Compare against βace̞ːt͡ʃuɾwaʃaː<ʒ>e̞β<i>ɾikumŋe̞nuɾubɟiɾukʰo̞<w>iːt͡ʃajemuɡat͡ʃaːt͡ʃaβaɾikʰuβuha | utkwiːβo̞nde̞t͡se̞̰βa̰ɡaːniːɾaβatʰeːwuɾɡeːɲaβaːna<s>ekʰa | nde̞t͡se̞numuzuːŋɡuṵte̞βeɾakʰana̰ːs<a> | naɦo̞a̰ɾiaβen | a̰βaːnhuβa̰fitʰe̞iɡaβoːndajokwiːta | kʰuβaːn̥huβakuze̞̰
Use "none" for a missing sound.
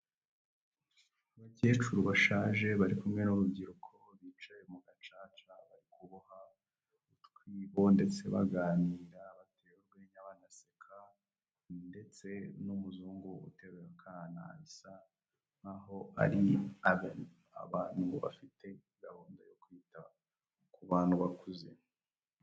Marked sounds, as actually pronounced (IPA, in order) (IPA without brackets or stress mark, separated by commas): ʒ, a, β, s, a